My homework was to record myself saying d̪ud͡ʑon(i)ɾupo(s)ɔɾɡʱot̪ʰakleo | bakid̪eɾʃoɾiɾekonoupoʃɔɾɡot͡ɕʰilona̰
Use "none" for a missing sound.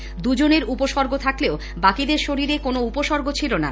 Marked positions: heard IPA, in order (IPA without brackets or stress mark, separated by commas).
e, ʃ